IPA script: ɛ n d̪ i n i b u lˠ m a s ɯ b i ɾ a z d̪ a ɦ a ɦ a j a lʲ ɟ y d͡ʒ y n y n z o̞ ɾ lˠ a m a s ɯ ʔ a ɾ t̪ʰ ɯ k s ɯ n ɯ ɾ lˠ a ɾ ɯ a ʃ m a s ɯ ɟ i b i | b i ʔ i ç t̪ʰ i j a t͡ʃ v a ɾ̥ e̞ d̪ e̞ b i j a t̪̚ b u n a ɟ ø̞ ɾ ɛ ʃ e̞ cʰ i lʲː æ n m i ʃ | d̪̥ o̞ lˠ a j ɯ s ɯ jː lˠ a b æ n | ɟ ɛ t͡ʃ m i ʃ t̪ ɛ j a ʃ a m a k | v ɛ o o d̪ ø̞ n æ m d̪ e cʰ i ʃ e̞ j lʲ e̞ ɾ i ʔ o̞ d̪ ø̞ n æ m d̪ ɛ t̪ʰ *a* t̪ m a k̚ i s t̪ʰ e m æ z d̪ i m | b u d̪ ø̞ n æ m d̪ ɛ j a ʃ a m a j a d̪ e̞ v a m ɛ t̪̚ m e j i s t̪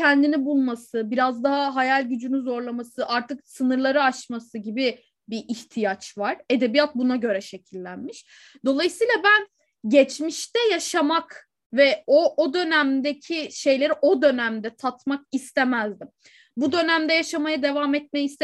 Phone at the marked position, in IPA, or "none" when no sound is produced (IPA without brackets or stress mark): a